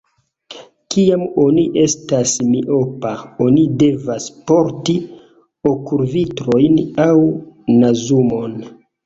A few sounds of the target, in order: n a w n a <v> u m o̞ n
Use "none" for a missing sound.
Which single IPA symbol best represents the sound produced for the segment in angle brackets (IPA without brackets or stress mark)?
z